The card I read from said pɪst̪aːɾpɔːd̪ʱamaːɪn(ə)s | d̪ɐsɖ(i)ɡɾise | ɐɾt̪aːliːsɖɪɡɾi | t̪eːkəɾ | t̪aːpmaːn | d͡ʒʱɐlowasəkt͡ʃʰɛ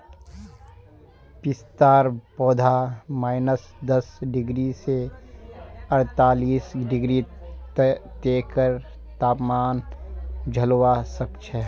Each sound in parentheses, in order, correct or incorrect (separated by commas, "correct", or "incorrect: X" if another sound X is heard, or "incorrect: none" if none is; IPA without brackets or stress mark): correct, incorrect: ɪ